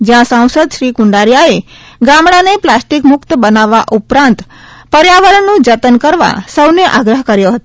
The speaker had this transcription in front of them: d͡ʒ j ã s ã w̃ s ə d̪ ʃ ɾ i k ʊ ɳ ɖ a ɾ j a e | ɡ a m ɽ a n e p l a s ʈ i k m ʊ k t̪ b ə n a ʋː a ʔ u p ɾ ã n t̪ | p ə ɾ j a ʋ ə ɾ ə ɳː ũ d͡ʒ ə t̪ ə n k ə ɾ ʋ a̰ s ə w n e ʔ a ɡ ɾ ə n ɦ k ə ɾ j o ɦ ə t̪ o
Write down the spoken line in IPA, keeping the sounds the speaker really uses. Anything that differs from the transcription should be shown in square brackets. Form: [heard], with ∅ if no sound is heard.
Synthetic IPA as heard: d͡ʒ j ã s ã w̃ s ə d̪ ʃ ɾ i k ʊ ɳ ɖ a ɾ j a e | ɡ a m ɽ a n e p l a s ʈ i k m ʊ k t̪ b ə n a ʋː a ʔ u p ɾ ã n t̪ | p ə ɾ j a ʋ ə ɾ ə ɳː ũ d͡ʒ ə t̪ ə n k ə ɾ ʋ a̰ s ə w n e ʔ a ɡ ɾ ə [∅] ɦ k ə ɾ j o ɦ ə t̪ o